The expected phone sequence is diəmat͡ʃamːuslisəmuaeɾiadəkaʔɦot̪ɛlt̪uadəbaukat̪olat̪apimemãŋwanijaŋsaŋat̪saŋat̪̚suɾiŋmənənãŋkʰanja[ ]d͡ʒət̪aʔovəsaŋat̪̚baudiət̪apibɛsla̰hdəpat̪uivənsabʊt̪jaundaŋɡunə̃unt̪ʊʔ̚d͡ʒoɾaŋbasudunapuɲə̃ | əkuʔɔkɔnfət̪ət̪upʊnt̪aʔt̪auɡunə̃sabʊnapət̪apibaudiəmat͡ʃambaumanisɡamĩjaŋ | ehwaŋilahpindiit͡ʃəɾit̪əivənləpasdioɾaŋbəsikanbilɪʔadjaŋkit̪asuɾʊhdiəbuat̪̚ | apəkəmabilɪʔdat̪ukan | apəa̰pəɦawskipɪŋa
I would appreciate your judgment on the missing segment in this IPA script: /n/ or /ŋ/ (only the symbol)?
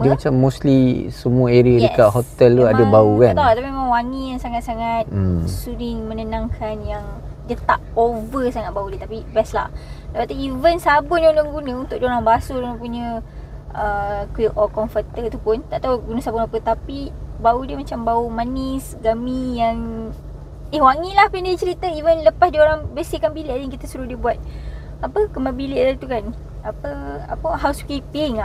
ŋ